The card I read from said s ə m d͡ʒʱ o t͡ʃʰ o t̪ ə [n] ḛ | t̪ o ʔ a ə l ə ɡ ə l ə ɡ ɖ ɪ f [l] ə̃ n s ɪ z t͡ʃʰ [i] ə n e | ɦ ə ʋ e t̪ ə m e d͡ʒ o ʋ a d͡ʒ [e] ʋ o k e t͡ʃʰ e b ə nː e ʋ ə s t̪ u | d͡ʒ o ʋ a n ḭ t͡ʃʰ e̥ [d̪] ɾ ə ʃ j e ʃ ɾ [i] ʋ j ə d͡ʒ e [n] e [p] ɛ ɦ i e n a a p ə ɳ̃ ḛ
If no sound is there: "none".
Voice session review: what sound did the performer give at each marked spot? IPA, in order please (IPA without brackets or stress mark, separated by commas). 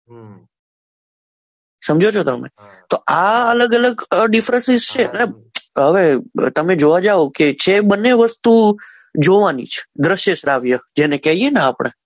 m, ɾ, e, a, d̪, a, n, k